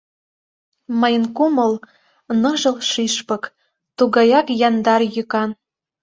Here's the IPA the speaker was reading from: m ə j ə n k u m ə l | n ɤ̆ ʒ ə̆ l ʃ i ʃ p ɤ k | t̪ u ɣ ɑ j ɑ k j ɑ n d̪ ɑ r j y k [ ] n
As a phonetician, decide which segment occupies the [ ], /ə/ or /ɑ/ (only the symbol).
ɑ